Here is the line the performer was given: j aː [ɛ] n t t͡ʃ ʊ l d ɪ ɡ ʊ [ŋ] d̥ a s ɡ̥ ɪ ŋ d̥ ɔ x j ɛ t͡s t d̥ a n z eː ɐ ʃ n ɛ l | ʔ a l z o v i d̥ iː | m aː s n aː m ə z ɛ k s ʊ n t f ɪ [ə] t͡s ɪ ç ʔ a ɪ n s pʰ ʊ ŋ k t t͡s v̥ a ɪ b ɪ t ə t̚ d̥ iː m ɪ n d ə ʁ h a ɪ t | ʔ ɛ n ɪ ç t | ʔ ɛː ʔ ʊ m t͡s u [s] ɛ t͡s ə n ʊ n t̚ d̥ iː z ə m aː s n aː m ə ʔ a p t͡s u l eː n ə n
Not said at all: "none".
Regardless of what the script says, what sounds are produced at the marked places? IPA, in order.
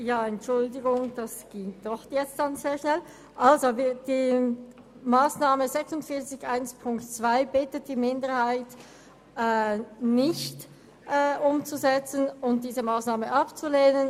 ɛ, ŋ, ɐ, z

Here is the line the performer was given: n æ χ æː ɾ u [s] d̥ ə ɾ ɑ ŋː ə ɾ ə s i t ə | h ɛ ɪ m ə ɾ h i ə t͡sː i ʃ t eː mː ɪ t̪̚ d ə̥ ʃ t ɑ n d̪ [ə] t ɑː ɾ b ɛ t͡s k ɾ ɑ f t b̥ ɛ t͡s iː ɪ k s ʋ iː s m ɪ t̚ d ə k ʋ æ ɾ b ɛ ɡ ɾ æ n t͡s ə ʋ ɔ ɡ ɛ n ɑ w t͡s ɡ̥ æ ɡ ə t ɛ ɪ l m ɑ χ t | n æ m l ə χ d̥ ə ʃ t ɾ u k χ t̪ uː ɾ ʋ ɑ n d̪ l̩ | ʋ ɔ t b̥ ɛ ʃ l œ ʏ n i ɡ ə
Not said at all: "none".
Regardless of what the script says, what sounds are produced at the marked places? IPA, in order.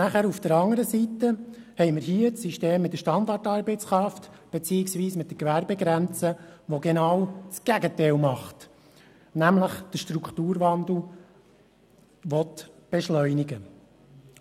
f, ɑ

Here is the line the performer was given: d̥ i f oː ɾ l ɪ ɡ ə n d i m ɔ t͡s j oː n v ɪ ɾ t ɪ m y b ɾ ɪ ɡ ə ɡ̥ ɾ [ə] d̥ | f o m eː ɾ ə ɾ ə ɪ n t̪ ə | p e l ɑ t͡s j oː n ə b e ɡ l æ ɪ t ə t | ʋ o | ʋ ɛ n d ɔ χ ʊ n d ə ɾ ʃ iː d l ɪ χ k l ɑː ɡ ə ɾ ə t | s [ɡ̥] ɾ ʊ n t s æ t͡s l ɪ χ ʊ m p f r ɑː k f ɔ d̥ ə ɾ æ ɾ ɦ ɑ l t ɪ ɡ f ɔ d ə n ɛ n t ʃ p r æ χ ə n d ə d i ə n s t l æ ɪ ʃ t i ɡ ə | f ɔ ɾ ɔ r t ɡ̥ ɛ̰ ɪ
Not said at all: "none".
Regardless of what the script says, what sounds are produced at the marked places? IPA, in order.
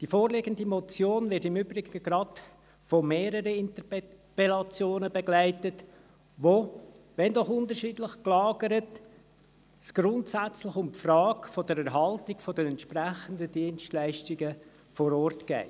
ɑ, ɡ̥

